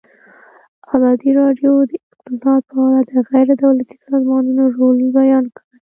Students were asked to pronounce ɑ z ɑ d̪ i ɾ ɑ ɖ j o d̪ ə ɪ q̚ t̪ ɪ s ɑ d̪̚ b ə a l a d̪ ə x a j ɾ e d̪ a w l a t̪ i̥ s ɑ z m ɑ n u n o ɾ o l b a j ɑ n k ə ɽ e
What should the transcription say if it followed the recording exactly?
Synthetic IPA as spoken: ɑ z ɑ d̪ i ɾ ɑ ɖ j o d̪ ə ɪ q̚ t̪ ɪ s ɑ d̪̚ p ə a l a d̪ ə ɣ a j ɾ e d̪ a w l a t̪ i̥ s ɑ z m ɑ n u n o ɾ o l b a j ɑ n k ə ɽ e